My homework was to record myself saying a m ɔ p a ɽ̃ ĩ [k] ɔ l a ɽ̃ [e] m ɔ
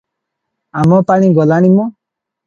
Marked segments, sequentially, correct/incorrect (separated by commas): incorrect, incorrect